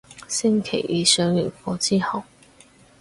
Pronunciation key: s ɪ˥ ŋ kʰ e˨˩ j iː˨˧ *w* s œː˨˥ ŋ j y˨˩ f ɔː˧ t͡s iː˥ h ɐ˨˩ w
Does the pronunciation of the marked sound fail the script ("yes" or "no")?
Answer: yes